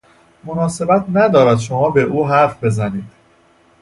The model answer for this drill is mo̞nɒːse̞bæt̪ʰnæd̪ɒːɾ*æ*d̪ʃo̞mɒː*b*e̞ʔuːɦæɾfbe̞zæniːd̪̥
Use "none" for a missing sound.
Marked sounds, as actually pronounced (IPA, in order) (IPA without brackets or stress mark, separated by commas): æ, b